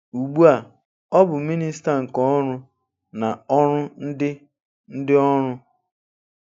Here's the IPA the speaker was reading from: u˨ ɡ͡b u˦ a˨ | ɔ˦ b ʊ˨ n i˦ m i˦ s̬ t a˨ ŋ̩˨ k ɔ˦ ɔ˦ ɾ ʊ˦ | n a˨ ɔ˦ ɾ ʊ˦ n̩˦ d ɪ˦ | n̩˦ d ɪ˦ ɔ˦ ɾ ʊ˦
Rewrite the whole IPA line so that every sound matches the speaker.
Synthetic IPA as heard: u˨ ɡ͡b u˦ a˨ | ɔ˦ b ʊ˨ m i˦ n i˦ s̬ t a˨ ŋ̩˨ k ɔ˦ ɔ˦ ɾ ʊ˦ | n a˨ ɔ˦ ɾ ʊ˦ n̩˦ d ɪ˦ | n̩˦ d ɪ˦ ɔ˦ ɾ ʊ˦